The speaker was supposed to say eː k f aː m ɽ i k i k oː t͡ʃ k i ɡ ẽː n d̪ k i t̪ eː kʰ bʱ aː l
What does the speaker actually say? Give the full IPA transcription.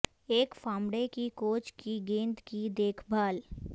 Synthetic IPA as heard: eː k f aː m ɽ e k i k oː t͡ʃ k i ɡ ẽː n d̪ k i d̪ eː kʰ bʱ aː l